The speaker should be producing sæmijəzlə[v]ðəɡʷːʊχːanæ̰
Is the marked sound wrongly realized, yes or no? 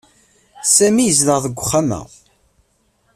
yes